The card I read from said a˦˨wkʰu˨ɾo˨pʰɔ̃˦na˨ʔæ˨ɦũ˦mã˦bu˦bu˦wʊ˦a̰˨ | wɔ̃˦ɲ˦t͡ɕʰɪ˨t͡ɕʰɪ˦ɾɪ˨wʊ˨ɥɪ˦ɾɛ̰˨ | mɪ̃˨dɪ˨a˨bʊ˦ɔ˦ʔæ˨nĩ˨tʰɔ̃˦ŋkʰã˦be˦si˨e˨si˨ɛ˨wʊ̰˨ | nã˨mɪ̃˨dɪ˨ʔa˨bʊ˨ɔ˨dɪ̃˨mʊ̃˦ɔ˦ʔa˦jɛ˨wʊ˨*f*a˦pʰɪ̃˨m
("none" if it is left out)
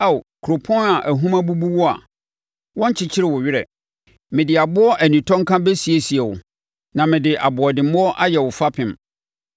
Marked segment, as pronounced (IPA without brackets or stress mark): f